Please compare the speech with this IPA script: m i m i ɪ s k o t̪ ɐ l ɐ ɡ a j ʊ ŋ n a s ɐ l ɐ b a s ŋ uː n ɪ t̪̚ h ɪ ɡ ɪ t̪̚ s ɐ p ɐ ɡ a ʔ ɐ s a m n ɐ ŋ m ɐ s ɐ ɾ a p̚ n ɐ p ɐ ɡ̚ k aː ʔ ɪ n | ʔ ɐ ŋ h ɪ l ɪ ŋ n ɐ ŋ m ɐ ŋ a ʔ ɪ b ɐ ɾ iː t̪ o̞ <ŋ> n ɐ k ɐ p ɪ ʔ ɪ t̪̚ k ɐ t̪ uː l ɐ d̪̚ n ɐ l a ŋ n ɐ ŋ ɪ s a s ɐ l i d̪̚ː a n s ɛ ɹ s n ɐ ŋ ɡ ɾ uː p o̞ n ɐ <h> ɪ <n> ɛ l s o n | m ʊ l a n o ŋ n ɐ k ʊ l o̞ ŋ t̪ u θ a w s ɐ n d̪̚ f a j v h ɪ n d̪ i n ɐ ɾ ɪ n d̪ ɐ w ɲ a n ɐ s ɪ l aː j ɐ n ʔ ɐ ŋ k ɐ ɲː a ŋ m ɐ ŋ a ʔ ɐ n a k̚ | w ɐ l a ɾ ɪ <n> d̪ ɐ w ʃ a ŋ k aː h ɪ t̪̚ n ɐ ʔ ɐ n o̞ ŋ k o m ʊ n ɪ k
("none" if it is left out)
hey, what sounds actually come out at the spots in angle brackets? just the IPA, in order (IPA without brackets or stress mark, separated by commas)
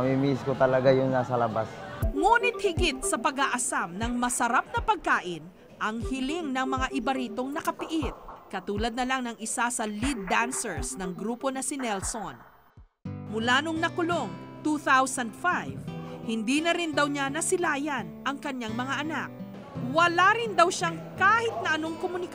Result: ŋ, s, n, n